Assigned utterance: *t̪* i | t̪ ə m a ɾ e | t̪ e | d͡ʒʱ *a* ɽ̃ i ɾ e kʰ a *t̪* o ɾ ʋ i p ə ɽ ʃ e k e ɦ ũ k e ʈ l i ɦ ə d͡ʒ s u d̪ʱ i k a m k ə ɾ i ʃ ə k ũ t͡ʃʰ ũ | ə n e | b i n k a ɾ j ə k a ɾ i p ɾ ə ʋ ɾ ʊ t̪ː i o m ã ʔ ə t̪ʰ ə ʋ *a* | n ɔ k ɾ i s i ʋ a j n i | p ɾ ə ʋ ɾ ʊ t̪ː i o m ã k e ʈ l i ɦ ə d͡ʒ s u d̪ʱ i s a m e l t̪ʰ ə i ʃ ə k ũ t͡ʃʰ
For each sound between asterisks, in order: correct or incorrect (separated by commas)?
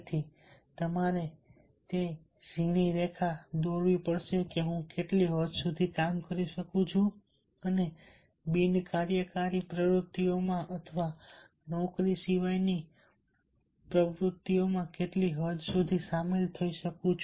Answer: incorrect, incorrect, incorrect, correct